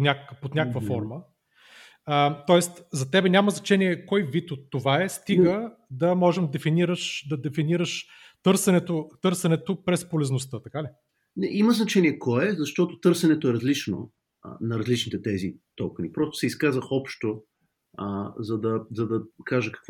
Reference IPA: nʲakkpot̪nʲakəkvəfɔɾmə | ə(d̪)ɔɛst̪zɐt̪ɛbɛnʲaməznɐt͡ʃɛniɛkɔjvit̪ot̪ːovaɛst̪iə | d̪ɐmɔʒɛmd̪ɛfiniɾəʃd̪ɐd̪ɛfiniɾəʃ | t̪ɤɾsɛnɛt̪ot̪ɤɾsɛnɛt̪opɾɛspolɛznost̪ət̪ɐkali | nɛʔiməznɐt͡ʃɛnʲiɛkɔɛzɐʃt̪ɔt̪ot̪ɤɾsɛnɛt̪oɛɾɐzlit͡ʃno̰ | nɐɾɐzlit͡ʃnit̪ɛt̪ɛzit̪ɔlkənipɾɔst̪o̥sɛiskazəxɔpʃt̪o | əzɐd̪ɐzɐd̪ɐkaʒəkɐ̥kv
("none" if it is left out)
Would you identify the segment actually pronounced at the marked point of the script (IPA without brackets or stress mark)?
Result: t̪